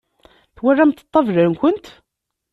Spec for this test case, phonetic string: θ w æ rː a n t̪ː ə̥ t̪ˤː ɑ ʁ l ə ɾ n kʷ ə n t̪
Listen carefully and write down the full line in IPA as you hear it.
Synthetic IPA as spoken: θ w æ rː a m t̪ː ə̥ t̪ˤː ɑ v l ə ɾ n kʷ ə n t̪